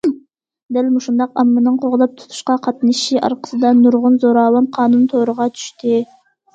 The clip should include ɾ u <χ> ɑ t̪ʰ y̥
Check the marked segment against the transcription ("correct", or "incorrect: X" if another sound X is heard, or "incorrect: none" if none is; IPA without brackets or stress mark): incorrect: ʁ